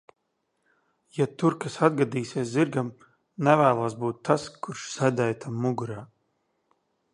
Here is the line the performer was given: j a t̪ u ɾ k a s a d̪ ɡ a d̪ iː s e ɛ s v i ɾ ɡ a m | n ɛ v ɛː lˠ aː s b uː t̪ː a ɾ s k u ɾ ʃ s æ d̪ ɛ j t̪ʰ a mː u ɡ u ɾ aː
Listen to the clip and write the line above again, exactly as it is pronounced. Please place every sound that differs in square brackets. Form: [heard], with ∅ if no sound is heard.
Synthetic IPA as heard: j a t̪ u ɾ k a s a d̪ ɡ a d̪ iː s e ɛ s [z] i ɾ ɡ a m | n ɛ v [æː] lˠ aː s b uː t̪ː a [∅] s k u ɾ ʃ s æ d̪ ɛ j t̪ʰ a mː u ɡ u ɾ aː